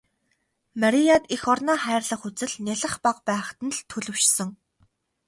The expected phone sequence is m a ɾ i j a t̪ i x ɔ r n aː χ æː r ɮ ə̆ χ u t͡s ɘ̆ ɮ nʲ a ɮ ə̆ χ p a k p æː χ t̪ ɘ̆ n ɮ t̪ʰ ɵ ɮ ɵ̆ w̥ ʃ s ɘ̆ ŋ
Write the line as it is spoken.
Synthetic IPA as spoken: m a ɾ i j a t̪ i x ɔ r n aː χ æː r ɮ ə̆ χ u t͡s ɘ̆ ɮ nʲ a ɮ ə̆ χ p a q p æː χ t̪ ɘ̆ n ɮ t̪ʰ ɵ ɮ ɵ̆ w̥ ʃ s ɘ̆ ŋ